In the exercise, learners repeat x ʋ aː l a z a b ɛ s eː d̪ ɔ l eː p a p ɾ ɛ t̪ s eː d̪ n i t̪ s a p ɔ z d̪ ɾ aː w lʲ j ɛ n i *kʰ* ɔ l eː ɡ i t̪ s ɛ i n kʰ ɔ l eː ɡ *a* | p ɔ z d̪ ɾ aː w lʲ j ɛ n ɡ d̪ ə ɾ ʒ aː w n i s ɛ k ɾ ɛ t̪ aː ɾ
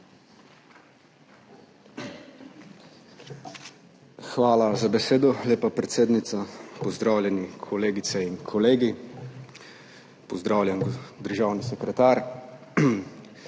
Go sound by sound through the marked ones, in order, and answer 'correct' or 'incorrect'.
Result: correct, incorrect: i

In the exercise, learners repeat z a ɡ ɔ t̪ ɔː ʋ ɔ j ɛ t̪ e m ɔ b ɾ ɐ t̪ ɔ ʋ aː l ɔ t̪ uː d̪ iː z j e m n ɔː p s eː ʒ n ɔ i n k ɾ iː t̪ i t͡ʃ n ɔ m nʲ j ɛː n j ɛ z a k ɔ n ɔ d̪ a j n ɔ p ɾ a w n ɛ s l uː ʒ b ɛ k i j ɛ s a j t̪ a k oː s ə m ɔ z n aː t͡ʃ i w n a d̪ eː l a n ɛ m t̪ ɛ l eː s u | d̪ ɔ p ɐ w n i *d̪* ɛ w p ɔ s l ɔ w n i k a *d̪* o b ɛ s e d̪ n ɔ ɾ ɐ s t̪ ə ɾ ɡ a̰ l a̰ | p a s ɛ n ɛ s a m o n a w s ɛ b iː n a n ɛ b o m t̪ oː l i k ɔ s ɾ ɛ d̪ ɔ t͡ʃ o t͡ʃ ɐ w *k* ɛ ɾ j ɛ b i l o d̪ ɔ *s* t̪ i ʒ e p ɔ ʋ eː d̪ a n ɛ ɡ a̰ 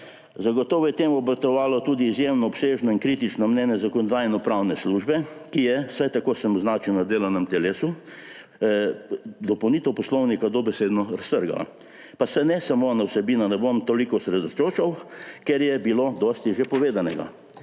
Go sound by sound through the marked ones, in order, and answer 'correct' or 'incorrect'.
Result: incorrect: t̪, correct, correct, correct

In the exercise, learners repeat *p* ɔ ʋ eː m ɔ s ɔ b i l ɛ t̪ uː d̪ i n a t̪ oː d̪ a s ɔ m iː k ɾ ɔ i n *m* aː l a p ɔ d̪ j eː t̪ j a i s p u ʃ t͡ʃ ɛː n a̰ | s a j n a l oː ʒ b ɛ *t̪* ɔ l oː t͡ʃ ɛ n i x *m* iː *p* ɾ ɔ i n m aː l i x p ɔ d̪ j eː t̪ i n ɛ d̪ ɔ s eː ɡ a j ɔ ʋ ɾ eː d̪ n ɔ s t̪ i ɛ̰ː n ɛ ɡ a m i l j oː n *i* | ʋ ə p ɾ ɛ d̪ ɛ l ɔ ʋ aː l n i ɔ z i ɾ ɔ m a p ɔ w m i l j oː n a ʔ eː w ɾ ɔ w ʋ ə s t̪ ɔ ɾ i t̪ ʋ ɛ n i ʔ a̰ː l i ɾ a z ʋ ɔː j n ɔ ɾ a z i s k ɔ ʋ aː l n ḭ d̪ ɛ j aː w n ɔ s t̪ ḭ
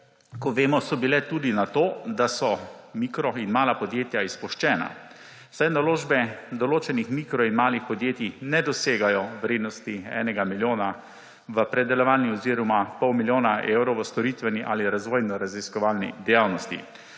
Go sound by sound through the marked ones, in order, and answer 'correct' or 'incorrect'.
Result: incorrect: k, correct, incorrect: d̪, correct, incorrect: k, incorrect: a

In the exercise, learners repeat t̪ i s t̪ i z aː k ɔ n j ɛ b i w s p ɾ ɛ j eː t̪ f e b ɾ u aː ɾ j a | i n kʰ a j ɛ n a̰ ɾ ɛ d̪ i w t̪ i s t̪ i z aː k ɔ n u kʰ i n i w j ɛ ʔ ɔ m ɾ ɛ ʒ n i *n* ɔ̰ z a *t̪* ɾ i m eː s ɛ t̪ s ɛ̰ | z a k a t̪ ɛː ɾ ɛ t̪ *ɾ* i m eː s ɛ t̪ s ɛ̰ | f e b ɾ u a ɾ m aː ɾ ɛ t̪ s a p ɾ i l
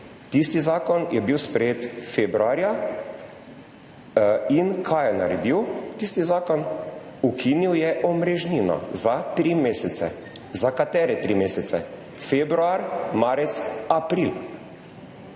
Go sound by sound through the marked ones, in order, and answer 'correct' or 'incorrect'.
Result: correct, correct, correct

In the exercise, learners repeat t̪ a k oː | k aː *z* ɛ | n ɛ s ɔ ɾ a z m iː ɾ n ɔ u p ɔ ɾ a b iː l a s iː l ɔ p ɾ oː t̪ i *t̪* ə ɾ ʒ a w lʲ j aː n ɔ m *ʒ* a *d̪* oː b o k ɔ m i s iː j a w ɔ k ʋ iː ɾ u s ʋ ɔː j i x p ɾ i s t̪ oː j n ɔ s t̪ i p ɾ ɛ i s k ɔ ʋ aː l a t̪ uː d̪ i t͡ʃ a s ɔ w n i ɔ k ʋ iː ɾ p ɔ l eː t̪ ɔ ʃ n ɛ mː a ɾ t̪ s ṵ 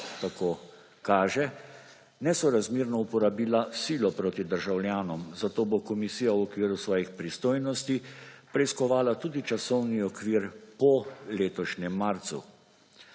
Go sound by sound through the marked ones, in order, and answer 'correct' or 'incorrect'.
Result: incorrect: ʒ, incorrect: d̪, incorrect: z, incorrect: t̪

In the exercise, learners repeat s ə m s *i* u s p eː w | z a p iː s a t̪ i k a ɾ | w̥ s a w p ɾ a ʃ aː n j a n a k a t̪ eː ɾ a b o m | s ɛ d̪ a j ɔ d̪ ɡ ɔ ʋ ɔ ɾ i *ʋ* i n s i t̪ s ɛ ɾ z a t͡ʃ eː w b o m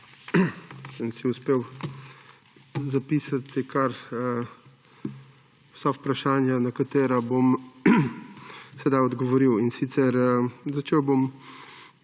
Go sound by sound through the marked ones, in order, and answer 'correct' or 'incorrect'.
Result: correct, incorrect: w

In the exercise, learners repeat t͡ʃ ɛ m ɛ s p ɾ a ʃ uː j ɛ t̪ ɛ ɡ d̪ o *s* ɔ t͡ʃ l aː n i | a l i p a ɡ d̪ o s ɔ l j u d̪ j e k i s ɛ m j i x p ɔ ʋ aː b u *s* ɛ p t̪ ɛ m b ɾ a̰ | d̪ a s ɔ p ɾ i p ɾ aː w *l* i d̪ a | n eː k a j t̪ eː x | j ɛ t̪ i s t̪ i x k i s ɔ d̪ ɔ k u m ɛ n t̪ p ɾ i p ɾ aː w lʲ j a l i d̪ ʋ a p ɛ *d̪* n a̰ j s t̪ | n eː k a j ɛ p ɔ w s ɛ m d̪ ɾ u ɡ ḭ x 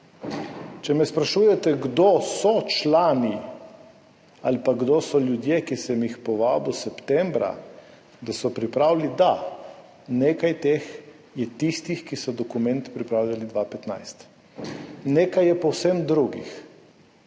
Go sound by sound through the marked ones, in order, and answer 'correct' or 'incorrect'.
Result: correct, correct, correct, incorrect: t̪

